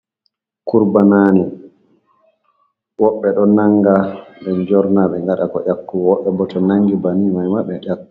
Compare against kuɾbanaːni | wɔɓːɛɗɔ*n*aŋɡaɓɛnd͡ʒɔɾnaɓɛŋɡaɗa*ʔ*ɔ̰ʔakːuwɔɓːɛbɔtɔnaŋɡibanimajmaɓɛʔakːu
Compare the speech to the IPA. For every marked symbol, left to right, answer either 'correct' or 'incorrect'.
correct, incorrect: k

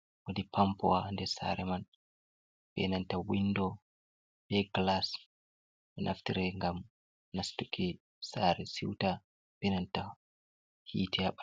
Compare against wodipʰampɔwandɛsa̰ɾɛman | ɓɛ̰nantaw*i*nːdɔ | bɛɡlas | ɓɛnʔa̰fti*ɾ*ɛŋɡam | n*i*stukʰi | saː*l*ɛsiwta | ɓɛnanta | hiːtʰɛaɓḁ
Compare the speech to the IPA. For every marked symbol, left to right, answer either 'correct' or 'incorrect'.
correct, correct, incorrect: a, incorrect: ɾ

